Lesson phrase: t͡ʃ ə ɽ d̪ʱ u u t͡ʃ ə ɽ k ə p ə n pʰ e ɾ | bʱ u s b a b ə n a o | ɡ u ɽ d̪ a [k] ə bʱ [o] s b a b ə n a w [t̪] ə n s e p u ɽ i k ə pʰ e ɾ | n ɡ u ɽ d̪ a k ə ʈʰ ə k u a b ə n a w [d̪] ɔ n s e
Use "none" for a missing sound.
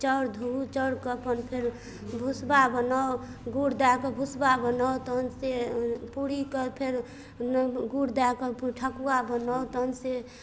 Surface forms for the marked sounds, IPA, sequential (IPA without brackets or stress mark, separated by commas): k, u, t̪, t̪